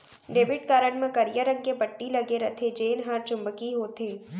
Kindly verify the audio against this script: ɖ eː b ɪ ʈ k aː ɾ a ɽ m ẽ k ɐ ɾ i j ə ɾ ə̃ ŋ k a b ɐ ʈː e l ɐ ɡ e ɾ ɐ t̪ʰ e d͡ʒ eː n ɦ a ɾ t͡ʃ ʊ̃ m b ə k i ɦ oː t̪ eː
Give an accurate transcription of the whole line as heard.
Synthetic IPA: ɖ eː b ɪ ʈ k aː ɾ ə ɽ m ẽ k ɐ ɾ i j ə ɾ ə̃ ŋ k e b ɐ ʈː i l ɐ ɡ e ɾ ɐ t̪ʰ e d͡ʒ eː n ɦ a ɾ t͡ʃ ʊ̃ m b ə k i ɦ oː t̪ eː